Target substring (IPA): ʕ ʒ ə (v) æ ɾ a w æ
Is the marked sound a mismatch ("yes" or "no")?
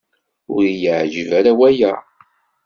no